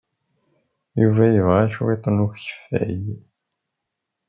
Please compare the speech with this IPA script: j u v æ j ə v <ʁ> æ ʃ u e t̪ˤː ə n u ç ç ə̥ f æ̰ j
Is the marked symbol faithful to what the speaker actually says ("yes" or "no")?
yes